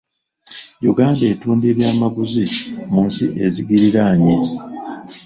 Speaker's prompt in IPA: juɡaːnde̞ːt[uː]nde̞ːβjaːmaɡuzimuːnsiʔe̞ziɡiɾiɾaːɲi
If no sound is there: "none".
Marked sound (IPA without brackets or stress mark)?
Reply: uː